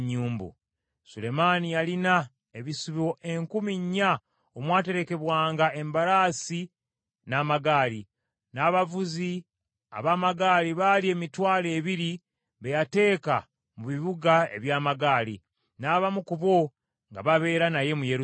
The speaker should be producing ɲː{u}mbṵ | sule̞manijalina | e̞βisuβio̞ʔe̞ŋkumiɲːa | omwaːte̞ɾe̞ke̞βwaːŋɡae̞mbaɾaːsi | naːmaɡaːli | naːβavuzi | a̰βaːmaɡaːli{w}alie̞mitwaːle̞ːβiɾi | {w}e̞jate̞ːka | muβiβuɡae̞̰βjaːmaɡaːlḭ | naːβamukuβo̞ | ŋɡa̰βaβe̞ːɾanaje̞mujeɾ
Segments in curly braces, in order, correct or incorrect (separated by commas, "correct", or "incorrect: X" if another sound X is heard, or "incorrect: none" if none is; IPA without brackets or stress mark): incorrect: uː, incorrect: β, incorrect: β